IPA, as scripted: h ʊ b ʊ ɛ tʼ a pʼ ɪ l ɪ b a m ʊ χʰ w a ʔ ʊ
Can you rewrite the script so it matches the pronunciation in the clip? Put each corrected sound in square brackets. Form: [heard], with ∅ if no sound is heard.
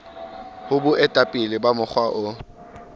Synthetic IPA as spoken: h ʊ b ʊ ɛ tʼ a pʼ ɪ l ɪ b a m ʊ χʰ w a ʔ ʊ